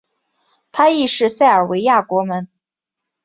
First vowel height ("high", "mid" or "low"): low